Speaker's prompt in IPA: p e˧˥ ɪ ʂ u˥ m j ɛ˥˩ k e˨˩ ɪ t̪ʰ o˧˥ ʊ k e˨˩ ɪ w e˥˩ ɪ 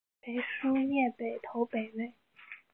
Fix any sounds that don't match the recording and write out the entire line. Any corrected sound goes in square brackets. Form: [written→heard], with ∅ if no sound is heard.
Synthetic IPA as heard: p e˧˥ ɪ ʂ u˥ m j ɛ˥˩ [k→p] e˨˩ ɪ t̪ʰ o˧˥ ʊ [k→p] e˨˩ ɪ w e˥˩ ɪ